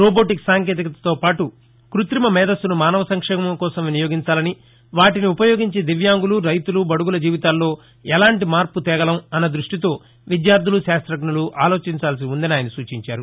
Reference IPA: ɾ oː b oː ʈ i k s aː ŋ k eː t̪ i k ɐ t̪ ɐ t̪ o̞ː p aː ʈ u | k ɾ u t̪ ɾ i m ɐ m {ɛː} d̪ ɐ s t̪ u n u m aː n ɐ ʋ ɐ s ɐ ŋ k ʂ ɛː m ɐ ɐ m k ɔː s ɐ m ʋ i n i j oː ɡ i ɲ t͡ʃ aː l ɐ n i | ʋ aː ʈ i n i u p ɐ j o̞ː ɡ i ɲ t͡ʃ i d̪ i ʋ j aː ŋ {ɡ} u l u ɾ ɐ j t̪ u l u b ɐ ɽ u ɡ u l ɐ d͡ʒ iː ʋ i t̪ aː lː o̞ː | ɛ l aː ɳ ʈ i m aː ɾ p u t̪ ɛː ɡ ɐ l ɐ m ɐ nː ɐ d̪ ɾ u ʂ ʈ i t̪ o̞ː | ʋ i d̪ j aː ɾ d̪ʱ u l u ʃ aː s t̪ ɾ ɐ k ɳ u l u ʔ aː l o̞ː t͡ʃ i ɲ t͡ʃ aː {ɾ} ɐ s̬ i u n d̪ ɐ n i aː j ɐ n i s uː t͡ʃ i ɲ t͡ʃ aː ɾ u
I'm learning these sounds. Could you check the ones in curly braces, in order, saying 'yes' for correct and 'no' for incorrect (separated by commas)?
yes, yes, no